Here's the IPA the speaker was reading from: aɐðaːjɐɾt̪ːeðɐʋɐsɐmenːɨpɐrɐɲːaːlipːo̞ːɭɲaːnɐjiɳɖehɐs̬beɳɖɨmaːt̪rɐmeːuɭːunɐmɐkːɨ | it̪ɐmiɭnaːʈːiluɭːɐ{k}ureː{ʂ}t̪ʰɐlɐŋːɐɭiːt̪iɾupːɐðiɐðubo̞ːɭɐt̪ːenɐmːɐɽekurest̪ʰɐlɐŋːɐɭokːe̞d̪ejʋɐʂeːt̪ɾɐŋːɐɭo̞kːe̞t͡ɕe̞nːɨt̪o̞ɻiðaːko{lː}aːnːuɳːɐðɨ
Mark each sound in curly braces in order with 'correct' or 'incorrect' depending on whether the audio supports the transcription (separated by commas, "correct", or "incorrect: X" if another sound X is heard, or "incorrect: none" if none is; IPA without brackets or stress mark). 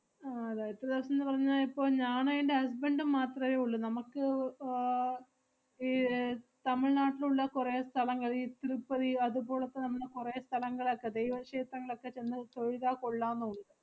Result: correct, incorrect: s, incorrect: ɭː